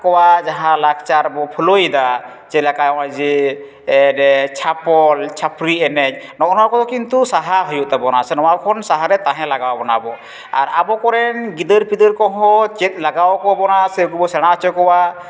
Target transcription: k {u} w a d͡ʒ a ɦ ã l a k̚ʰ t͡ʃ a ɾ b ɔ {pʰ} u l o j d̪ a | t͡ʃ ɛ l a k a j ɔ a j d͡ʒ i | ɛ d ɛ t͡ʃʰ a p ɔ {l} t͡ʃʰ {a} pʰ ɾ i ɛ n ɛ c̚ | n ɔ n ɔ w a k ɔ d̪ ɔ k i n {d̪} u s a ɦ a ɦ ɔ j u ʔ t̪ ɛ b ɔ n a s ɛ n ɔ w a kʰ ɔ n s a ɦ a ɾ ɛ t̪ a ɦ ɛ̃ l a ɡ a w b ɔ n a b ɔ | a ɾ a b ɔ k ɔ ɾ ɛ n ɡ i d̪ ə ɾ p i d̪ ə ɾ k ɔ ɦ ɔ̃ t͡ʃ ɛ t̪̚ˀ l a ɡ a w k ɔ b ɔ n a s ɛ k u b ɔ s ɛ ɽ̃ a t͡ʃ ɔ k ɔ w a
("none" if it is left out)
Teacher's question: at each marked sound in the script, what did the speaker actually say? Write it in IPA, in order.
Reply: ɔ, pʰ, l, a, t̪

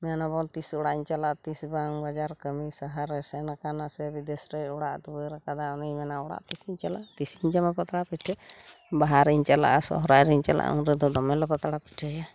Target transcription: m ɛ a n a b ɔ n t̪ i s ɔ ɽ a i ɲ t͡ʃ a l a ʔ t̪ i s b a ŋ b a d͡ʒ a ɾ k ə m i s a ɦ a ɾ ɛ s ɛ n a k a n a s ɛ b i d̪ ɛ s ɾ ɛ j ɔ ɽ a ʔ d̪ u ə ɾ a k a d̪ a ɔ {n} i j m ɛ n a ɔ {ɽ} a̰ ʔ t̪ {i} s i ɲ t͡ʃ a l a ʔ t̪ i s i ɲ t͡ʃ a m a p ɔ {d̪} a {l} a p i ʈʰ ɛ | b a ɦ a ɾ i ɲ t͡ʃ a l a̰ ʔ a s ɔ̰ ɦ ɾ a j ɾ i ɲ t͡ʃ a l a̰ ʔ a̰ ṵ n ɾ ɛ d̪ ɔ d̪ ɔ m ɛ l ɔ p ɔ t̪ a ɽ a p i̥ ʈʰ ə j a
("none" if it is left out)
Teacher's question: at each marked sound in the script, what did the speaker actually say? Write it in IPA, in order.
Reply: n, ɽ, i, t̪, ɽ

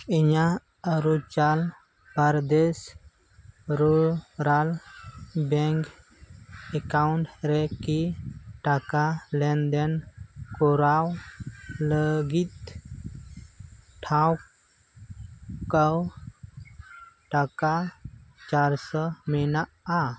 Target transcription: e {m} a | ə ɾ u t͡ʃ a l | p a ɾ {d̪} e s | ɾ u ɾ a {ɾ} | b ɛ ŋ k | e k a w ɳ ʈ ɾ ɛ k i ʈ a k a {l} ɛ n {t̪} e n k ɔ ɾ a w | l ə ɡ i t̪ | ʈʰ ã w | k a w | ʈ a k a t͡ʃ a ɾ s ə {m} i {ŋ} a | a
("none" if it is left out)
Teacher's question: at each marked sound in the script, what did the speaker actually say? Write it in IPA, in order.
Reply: ɲ, d̪, l, l, d̪, m, n

